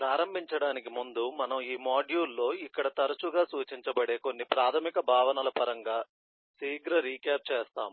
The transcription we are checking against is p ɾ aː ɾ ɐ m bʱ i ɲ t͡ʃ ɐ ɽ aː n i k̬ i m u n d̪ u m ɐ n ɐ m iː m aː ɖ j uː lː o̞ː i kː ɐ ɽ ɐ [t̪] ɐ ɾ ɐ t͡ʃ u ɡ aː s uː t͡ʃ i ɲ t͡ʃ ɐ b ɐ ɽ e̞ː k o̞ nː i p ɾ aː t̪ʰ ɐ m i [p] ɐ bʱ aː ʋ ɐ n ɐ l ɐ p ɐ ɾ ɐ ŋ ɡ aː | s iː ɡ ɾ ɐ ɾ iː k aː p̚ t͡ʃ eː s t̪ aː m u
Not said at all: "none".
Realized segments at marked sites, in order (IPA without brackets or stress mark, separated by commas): t̪, k